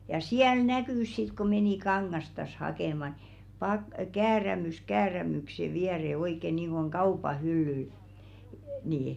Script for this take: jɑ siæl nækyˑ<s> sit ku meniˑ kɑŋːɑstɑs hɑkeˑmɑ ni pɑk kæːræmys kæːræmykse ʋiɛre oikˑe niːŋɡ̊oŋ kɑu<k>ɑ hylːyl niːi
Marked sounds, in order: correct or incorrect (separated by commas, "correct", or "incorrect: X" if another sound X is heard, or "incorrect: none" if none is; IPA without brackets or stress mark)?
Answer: correct, incorrect: p